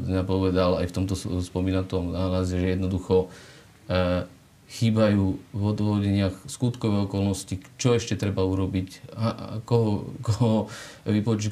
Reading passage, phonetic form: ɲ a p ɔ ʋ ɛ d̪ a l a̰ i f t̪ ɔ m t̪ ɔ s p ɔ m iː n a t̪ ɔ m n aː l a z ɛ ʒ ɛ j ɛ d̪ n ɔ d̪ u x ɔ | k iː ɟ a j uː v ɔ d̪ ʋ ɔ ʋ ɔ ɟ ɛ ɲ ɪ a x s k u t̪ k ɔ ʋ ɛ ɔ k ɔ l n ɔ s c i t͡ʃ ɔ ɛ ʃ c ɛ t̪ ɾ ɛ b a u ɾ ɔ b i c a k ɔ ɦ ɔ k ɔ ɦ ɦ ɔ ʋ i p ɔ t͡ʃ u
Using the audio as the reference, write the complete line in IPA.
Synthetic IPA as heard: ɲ a p ɔ ʋ ɛ d̪ a l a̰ j f t̪ ɔ m t̪ ɔ s p ɔ m iː n a t̪ ɔ m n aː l a z ɛ ʒ ɛ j ɛ d̪ n ɔ d̪ u x ɔ | x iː b a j uː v ɔ d̪ ʋ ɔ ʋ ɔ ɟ ɛ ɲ ɪ a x s k u t̪ k ɔ ʋ ɛ ɔ k ɔ l n ɔ s c i t͡ʃ ɔ ɛ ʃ c ɛ t̪ ɾ ɛ b a u ɾ ɔ b i c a k ɔ ɦ ɔ k ɔ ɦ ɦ ɔ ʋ i p ɔ t͡ʃ u